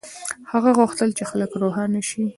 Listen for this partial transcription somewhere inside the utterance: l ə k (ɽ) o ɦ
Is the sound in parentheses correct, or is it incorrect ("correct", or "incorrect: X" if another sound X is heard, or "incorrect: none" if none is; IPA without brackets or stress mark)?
incorrect: ɾ